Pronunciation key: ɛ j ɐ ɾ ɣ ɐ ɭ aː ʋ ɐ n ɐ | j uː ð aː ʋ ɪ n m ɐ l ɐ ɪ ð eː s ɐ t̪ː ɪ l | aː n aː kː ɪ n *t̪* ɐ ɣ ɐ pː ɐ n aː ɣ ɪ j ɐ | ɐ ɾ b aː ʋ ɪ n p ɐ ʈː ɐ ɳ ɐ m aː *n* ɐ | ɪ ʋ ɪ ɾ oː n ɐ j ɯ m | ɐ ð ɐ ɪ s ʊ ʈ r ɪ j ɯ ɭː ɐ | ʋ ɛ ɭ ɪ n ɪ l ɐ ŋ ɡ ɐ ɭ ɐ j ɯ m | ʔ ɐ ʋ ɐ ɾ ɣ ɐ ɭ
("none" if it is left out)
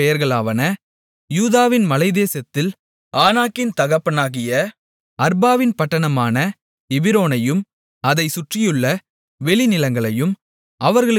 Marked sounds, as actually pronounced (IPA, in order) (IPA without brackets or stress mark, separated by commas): t̪, n